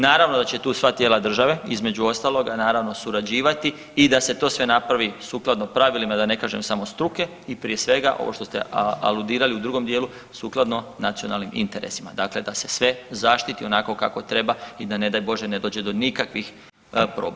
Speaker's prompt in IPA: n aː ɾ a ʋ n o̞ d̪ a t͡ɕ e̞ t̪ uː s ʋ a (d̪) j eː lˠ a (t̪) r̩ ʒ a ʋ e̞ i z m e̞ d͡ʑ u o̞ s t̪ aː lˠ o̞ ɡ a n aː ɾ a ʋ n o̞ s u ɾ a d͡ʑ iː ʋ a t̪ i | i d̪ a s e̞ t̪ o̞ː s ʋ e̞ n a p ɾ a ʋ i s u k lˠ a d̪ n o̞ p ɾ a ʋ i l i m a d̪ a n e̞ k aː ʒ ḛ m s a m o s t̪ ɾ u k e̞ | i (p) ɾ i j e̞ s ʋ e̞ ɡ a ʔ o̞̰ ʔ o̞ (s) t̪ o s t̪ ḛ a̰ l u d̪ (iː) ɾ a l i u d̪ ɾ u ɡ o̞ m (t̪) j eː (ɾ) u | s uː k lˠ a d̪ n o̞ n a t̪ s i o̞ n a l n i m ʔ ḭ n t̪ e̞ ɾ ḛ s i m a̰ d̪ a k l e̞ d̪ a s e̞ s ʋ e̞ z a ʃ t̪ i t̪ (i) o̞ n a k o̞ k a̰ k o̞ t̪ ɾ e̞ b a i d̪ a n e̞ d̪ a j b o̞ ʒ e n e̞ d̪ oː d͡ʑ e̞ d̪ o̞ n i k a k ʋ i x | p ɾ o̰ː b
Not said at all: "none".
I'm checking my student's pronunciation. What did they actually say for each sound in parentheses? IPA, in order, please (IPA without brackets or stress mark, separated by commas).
t̪, d̪, p, ʃ, iː, d̪, l, i